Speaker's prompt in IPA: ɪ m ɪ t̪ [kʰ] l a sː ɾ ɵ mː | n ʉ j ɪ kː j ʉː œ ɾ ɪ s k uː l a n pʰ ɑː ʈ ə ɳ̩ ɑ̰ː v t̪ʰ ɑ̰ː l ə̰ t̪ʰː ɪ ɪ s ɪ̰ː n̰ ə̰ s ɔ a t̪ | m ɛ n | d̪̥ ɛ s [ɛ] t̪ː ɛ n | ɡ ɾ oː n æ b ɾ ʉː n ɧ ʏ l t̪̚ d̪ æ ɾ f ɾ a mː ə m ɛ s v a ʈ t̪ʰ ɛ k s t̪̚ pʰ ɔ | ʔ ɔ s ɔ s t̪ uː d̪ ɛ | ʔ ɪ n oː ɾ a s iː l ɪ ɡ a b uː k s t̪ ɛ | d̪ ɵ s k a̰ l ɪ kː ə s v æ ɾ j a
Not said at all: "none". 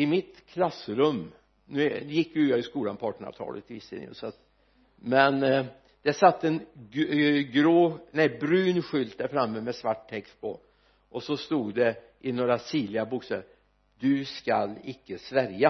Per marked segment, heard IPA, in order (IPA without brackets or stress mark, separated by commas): kʰ, a